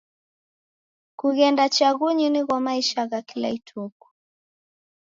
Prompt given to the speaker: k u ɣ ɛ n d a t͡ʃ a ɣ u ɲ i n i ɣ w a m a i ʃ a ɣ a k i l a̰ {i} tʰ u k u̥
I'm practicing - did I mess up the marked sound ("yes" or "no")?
no